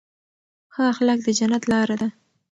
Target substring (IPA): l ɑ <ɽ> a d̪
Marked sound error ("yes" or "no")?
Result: yes